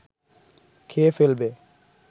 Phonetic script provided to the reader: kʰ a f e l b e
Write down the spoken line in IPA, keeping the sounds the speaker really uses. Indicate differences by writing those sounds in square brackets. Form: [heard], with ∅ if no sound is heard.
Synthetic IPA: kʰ [e] f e l b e

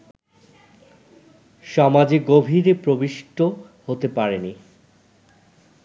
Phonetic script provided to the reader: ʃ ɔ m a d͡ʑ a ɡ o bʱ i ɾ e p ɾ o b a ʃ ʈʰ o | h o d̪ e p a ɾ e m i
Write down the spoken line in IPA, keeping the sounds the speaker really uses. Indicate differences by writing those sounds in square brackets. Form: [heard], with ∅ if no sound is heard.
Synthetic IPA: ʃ ɔ m a d͡ʑ [e] ɡ o bʱ i ɾ e p ɾ o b [i] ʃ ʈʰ o | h o [t̪] e p a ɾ e [n] i

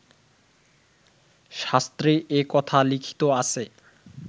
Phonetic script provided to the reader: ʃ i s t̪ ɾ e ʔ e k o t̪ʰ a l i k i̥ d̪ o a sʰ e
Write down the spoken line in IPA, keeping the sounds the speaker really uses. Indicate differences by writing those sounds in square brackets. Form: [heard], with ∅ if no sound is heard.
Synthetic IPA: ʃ [a] s t̪ ɾ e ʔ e k [ɔ] t̪ʰ a l i [kʰ] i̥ [t̪] o a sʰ e

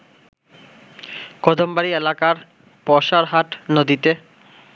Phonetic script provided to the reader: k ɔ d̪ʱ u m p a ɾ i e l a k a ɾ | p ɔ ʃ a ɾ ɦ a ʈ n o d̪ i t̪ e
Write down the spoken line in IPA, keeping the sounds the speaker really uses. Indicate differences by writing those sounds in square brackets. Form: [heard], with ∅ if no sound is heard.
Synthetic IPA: k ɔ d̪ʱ [o] m [b] a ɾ i e l a k a ɾ | p ɔ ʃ a ɾ ɦ a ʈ n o d̪ i t̪ e

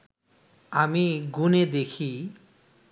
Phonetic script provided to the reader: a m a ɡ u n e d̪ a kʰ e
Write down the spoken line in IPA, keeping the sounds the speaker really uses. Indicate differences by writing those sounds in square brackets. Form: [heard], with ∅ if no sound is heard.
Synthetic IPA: a m [i] ɡ u n e d̪ [e] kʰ [i]

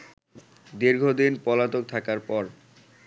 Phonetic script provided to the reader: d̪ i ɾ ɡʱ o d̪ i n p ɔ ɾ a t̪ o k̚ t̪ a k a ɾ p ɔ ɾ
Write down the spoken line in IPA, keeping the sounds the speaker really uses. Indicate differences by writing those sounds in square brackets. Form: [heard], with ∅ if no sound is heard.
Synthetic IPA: d̪ i ɾ ɡʱ o d̪ i n p ɔ [l] a t̪ o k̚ [t̪ʰ] a k a ɾ p ɔ ɾ

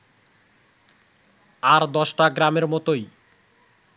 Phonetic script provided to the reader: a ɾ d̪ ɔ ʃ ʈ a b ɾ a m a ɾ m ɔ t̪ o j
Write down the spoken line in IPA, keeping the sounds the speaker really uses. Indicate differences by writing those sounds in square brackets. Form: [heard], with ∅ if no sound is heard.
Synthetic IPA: a ɾ d̪ ɔ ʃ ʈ a [ɡ] ɾ a m [e] ɾ m ɔ t̪ o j

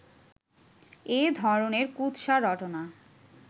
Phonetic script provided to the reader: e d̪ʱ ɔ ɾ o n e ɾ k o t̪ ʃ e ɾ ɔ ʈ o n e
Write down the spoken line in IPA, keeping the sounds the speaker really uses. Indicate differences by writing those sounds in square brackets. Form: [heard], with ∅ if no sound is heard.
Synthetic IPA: e d̪ʱ ɔ ɾ o n e ɾ k [u] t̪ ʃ [a] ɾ ɔ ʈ o n [a]

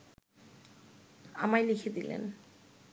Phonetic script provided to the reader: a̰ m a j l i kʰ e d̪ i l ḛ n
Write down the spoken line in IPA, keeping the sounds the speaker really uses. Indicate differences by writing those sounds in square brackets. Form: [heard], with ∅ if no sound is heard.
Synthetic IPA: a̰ m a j l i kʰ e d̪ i l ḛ n

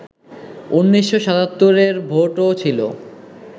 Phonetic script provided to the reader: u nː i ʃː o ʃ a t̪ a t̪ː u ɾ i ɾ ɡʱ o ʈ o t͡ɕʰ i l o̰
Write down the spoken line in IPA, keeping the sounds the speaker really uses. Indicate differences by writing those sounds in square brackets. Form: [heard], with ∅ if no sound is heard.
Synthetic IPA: u nː i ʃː o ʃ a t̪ a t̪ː [o] ɾ [e] ɾ [bʱ] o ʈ o t͡ɕʰ i l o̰

